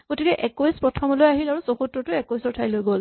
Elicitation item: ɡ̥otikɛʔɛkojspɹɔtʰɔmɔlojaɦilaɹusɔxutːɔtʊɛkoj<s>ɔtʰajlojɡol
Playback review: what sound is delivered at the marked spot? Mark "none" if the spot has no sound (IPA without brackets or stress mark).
s